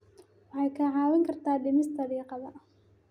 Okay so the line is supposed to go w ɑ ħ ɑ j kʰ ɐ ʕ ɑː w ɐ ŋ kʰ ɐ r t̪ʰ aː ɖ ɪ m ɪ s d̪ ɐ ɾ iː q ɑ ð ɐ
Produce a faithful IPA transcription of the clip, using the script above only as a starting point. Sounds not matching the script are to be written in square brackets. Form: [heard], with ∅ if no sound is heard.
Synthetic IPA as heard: w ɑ ħ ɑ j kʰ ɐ ʕ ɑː w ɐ ŋ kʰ ɐ r t̪ʰ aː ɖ ɪ m ɪ s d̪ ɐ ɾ iː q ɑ ð ɐ

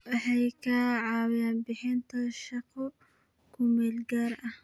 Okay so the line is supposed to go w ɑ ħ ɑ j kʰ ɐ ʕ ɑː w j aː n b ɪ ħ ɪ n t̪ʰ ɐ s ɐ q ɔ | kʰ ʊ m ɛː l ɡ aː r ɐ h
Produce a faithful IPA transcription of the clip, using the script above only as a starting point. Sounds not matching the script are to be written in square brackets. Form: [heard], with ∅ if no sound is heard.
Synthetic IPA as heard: w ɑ ħ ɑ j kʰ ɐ ʕ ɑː w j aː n b ɪ ħ ɪ n t̪ʰ ɐ [ʃ] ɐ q ɔ | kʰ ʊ m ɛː l ɡ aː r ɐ h

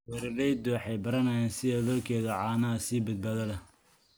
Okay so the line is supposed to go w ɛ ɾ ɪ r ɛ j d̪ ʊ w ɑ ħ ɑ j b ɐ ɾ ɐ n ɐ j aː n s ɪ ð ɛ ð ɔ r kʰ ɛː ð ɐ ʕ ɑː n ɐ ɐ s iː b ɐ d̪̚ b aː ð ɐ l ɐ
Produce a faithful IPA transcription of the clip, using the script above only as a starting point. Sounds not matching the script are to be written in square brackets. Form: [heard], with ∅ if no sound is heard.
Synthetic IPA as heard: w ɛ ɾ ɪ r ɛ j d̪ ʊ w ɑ ħ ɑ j b ɐ ɾ ɐ n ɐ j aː n s ɪ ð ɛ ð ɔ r kʰ ɛː ð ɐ ʕ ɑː n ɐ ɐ s iː b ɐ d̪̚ b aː ð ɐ l ɐ

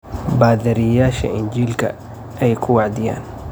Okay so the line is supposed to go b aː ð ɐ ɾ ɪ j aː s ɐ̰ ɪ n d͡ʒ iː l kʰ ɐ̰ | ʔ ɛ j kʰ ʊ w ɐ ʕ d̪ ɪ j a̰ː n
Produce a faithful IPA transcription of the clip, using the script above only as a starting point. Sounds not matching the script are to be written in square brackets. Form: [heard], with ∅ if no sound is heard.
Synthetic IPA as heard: b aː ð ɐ ɾ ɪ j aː [ʃ] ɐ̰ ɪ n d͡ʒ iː l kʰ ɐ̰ | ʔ ɛ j kʰ ʊ w [ɑ] ʕ d̪ ɪ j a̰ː n

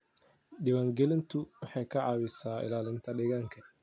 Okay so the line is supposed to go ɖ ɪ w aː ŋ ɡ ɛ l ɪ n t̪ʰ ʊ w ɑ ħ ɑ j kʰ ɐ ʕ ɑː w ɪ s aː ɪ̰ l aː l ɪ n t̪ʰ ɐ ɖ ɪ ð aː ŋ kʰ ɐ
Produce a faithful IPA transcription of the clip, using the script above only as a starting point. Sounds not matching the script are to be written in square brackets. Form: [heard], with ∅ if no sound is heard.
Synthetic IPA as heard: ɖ ɪ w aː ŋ ɡ ɛ l ɪ n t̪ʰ ʊ w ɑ ħ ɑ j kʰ ɐ ʕ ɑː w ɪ s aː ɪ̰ l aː l ɪ n t̪ʰ ɐ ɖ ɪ [ɣ] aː ŋ kʰ ɐ

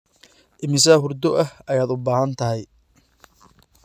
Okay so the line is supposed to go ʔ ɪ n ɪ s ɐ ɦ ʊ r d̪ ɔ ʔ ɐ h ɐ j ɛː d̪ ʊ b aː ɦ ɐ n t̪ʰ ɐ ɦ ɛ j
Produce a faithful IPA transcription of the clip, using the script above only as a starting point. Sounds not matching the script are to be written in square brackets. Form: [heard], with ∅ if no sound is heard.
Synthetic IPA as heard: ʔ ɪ [m] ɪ s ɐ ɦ ʊ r d̪ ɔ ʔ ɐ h ɐ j [aː] d̪ ʊ b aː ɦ ɐ n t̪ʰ ɐ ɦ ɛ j

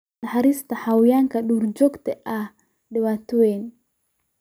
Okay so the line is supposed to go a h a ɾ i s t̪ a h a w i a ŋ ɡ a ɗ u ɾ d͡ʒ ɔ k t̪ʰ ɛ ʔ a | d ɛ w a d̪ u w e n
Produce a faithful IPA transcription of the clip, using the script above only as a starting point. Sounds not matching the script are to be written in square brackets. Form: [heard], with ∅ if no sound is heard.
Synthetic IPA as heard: a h a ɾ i s t̪ a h a w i a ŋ [k] a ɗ u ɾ d͡ʒ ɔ k [t̪] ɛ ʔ a | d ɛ w a [t̪] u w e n

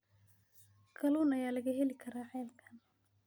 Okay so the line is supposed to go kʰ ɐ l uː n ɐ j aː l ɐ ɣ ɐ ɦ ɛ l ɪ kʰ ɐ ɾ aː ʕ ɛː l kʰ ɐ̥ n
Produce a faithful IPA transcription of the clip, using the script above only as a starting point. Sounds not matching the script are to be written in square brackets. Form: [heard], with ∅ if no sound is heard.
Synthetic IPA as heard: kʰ ɐ l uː n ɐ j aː l ɐ ɣ ɐ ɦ ɛ l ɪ kʰ ɐ ɾ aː ʕ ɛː l kʰ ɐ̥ n

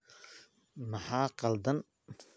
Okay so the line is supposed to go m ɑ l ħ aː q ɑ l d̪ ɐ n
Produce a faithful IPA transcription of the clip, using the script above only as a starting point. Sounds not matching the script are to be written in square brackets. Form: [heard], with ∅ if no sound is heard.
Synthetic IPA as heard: m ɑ [∅] ħ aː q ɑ l d̪ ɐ n

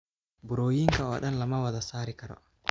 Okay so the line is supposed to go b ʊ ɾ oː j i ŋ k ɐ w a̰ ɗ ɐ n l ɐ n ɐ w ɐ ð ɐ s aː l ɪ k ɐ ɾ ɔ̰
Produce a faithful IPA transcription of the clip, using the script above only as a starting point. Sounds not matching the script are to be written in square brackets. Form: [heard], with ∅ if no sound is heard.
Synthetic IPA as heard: b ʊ ɾ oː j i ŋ k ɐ w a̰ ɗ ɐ n l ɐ [m] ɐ w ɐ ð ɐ s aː [ɾ] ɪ k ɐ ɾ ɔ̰

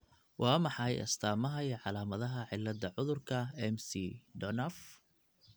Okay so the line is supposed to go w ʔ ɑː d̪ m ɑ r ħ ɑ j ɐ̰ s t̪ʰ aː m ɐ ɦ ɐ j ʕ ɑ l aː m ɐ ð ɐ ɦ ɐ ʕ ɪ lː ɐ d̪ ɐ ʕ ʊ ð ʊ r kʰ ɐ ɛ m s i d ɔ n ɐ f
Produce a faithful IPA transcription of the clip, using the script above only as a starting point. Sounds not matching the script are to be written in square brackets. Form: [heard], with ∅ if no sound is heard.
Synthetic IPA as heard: w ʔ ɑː [∅] m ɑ [∅] ħ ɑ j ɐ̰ s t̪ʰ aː m ɐ ɦ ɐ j ʕ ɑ l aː m ɐ ð ɐ ɦ ɐ ʕ ɪ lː ɐ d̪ ɐ ʕ ʊ ð ʊ r kʰ ɐ ɛ m s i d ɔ n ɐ f

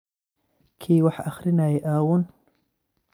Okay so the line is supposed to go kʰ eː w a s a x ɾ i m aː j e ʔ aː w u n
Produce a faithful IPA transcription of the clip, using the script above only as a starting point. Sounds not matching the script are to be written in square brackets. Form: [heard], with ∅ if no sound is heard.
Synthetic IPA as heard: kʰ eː w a [ħ] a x ɾ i [n] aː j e ʔ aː w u n

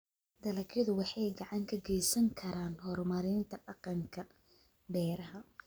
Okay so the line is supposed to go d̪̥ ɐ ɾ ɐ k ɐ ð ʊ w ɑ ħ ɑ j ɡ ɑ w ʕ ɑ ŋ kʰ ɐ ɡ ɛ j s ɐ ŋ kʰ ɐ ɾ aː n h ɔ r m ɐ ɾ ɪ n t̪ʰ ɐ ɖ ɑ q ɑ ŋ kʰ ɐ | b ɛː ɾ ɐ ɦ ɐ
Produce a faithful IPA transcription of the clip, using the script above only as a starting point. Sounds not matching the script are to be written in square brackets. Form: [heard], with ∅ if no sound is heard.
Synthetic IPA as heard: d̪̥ ɐ [l] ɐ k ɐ ð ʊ w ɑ ħ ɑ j ɡ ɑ [∅] ʕ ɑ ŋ kʰ ɐ ɡ ɛ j s ɐ ŋ kʰ ɐ ɾ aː n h ɔ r m ɐ ɾ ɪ n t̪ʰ ɐ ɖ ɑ q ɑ ŋ kʰ ɐ | b ɛː ɾ ɐ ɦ ɐ

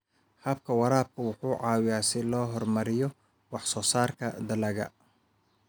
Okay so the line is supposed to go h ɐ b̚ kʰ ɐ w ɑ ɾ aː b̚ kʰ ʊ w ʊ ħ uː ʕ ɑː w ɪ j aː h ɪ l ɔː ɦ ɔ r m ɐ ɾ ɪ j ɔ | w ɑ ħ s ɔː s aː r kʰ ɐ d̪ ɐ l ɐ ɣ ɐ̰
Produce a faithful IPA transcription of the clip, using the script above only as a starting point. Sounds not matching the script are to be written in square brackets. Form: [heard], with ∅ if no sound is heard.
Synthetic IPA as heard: h ɐ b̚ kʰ ɐ w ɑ ɾ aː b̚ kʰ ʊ w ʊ ħ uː ʕ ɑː w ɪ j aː [s] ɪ l ɔː ɦ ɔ r m ɐ ɾ ɪ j ɔ | w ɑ ħ s ɔː s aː r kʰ ɐ d̪ ɐ l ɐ ɣ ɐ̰

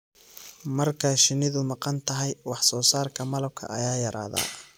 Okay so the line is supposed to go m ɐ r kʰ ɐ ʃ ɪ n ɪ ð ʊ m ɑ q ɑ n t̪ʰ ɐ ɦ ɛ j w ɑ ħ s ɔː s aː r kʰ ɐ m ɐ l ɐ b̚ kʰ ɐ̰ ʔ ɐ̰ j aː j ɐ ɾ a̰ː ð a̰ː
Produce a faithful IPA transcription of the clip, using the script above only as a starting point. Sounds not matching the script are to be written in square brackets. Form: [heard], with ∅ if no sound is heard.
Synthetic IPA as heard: m ɐ r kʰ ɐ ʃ ɪ n ɪ ð ʊ m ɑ q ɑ n t̪ʰ ɐ ɦ ɛ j w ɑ ħ s ɔː s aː r kʰ ɐ m ɐ l ɐ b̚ kʰ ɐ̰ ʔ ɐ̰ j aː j ɐ ɾ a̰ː ð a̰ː

